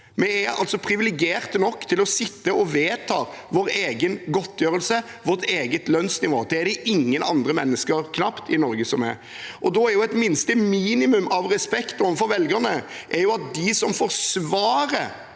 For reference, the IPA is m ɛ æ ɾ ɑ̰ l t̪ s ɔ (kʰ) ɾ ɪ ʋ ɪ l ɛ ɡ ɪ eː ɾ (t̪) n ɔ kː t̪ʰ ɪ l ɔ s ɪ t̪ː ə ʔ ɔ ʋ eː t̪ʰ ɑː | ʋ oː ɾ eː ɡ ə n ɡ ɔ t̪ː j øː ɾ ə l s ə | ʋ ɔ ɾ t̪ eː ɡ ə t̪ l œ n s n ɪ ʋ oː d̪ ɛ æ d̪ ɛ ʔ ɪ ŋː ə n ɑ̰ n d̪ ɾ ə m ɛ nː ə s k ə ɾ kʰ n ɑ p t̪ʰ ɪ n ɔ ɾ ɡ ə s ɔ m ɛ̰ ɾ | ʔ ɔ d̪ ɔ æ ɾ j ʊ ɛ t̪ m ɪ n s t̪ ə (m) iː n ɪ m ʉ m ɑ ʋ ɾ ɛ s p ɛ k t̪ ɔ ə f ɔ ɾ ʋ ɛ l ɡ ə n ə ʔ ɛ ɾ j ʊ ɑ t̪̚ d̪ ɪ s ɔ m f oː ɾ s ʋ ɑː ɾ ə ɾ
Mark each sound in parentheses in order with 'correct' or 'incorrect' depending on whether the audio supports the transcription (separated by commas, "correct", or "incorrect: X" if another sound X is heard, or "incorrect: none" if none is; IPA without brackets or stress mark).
incorrect: pʰ, correct, correct